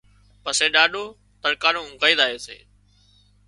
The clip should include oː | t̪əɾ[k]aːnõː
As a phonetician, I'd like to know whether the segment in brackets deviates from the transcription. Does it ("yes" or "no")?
no